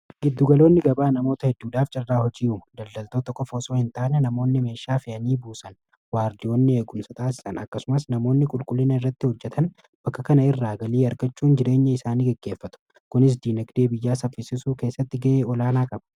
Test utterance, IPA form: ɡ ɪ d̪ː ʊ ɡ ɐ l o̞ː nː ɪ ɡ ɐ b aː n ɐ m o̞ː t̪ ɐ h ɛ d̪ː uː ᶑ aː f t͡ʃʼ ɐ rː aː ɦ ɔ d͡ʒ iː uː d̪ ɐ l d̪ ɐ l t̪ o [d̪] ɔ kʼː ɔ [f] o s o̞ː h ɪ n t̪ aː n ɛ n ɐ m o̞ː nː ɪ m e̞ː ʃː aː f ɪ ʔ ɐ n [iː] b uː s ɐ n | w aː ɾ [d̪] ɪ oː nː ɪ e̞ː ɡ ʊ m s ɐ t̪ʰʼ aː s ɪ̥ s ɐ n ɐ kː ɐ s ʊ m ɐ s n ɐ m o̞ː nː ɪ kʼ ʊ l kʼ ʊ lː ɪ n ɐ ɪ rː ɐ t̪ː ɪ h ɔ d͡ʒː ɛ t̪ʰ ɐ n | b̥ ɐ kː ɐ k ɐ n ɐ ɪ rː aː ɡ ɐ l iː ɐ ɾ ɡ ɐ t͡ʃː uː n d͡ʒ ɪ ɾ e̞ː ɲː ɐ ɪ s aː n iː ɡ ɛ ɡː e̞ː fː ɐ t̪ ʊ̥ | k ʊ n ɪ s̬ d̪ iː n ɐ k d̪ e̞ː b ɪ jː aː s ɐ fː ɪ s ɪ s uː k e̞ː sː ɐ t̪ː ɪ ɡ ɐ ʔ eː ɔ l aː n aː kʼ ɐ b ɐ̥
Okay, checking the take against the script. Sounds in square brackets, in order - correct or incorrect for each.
incorrect: t̪, correct, correct, correct

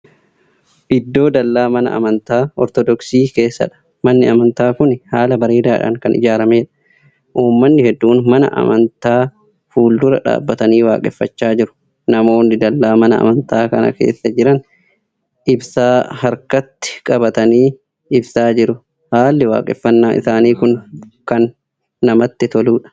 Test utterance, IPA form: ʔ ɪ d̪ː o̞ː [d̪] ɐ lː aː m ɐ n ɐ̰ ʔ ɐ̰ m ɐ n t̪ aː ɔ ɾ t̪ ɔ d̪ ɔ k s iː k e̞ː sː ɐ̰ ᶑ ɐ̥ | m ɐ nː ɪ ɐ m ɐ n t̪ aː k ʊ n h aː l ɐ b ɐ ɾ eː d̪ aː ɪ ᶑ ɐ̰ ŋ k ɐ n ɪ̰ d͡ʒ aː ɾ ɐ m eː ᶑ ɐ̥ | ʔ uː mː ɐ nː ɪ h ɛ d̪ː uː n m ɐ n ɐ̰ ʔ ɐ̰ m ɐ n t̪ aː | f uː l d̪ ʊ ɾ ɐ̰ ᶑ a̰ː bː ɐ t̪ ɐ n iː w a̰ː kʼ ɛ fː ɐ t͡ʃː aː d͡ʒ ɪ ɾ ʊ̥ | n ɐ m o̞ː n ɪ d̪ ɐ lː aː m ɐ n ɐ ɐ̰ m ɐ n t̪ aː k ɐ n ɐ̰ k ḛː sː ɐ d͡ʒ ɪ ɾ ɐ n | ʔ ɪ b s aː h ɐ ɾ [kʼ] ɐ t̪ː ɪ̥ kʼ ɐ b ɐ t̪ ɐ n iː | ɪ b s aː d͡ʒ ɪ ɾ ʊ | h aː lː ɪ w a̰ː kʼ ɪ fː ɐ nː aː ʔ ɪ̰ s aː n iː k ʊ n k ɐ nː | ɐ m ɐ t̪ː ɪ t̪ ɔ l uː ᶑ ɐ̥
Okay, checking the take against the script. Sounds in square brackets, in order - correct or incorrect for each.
correct, incorrect: k

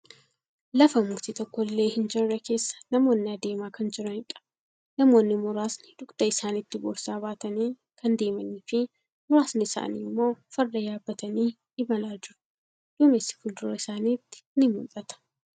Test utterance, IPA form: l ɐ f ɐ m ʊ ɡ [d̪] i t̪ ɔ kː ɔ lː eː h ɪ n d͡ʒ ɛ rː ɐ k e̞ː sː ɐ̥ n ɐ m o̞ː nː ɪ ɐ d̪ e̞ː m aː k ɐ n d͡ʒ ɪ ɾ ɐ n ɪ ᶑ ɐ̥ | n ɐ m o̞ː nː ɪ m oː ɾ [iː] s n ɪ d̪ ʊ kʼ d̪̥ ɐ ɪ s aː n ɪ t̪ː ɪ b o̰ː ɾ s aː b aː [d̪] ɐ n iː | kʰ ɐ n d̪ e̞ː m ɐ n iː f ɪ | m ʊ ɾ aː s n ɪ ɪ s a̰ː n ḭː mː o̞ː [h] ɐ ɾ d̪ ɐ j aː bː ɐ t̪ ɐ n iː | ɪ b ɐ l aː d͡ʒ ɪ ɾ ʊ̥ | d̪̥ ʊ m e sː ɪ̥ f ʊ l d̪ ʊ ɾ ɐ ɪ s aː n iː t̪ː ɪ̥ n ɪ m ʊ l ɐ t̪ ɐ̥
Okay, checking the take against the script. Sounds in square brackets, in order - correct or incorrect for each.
incorrect: t̪, incorrect: aː, incorrect: t̪, incorrect: f

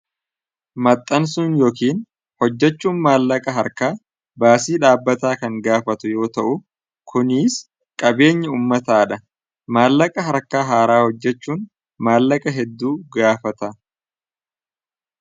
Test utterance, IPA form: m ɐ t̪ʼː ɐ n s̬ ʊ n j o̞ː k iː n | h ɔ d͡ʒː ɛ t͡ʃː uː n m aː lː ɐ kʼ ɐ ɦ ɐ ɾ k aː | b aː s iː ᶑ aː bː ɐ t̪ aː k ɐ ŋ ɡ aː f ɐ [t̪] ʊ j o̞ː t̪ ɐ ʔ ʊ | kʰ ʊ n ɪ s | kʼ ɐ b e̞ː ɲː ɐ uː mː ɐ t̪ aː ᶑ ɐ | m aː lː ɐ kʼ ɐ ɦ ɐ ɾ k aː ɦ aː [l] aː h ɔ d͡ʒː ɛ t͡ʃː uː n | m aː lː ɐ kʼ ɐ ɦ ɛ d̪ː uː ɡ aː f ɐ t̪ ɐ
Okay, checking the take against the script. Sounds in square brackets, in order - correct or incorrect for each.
correct, incorrect: ɾ

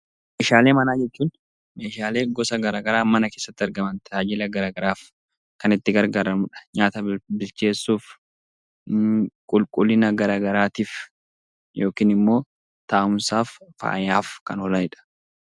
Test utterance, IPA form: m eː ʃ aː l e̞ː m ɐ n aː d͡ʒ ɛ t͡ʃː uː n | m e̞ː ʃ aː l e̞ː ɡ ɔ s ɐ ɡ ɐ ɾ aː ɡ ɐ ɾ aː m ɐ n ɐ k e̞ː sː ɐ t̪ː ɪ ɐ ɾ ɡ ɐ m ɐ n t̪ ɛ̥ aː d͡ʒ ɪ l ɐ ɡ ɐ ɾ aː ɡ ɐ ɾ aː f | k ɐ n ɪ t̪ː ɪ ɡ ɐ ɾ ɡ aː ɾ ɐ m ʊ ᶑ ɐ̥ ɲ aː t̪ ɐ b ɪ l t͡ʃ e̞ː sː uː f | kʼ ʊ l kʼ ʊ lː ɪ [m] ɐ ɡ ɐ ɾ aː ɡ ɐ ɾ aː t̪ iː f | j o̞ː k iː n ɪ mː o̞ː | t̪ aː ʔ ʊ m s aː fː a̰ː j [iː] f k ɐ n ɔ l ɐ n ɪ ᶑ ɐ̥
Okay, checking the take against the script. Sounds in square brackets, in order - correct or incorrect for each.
incorrect: n, incorrect: aː

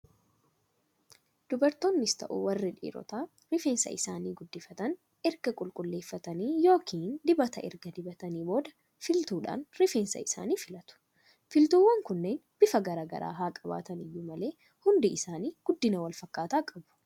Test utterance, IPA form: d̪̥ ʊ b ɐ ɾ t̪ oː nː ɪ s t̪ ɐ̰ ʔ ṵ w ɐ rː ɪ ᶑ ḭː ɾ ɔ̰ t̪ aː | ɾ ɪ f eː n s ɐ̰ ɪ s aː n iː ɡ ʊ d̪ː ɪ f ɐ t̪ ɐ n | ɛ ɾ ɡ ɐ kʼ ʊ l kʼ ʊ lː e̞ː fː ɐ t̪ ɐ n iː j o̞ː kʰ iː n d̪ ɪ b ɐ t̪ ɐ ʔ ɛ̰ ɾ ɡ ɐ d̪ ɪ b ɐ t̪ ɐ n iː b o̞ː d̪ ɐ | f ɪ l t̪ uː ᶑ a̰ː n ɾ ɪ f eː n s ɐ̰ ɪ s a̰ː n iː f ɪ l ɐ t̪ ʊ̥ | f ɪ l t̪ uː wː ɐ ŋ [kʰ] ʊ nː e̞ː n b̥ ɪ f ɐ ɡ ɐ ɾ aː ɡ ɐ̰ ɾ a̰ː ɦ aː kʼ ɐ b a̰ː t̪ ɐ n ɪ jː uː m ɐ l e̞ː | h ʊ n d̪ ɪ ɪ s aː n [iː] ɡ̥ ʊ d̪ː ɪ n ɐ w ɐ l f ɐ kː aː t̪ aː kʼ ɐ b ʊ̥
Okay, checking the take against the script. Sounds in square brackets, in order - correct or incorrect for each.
incorrect: k, correct

